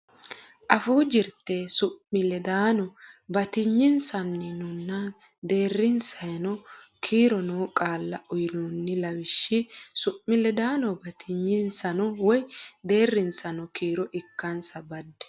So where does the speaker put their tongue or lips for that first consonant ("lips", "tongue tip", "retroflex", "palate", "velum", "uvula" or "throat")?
throat